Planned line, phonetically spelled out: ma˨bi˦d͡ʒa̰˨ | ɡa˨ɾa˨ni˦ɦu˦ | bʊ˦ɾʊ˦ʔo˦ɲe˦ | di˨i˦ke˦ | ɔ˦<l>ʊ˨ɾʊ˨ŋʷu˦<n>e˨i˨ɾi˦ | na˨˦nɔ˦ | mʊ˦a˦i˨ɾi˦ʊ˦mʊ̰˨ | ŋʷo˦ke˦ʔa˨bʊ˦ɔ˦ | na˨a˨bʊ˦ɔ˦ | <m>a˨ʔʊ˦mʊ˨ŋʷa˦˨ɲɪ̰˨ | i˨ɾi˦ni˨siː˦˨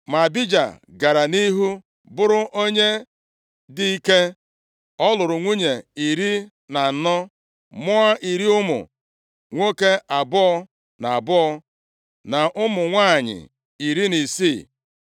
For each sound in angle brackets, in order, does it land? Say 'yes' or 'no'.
yes, no, no

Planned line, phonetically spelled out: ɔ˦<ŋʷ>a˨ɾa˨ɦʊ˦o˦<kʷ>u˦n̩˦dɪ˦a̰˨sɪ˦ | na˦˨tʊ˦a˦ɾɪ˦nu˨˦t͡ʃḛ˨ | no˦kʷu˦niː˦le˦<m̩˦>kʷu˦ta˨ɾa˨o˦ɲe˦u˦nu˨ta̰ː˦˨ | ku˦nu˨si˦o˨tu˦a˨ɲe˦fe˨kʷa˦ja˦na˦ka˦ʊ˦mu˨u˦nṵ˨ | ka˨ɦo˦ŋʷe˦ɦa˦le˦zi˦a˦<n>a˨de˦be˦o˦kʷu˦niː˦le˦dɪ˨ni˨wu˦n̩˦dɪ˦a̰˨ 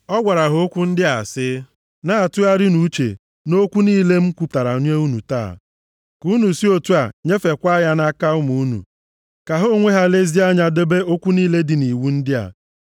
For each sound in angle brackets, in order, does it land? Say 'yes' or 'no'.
no, yes, yes, no

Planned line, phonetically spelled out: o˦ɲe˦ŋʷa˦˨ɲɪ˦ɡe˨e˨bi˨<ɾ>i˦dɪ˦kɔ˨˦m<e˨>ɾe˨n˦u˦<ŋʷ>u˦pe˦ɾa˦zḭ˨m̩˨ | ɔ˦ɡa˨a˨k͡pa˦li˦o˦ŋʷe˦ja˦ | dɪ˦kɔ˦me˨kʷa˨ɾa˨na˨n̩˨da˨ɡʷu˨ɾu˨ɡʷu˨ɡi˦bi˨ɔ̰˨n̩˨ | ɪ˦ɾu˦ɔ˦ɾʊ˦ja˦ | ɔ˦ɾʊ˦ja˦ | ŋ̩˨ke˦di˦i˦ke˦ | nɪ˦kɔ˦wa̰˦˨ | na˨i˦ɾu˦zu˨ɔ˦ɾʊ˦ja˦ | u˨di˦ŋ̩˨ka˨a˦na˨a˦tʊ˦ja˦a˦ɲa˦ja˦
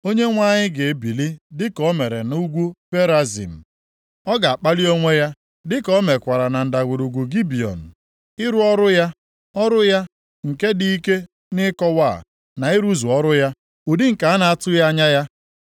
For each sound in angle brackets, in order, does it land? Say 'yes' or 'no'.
no, yes, no

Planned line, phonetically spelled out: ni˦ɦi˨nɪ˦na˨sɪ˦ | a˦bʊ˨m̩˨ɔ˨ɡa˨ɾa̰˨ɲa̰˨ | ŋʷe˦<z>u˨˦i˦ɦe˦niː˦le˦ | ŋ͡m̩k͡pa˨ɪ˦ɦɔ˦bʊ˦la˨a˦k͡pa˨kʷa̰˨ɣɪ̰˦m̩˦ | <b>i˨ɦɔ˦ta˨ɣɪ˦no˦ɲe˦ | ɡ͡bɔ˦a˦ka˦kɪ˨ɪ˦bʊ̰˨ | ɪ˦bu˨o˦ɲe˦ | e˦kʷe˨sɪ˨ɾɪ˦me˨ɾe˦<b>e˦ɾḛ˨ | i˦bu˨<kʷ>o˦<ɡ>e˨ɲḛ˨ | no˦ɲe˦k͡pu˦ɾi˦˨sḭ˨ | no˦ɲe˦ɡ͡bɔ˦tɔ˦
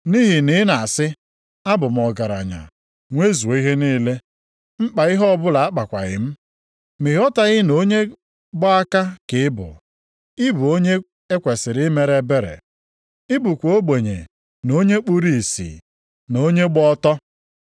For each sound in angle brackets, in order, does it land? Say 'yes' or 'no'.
yes, no, yes, yes, no

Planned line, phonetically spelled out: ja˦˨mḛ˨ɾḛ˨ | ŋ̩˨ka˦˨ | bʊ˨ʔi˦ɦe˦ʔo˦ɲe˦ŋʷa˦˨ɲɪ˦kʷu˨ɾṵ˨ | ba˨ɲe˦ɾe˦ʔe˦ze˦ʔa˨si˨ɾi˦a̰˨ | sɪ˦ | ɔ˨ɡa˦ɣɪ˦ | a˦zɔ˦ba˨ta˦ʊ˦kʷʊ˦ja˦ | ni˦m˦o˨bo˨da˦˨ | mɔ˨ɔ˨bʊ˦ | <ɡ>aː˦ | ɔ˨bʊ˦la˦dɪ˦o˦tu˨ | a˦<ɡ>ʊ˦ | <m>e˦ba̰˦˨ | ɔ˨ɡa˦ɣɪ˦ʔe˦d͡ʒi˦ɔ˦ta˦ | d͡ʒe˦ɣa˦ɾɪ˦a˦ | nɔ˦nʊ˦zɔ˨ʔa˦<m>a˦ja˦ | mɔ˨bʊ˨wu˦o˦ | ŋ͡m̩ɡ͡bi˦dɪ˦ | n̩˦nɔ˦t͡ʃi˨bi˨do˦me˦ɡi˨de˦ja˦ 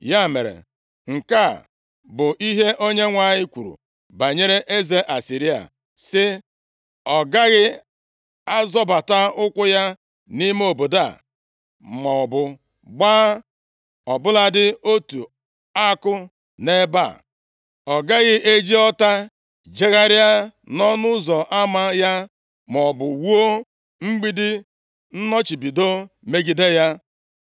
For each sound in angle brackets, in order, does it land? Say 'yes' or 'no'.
no, no, no, yes

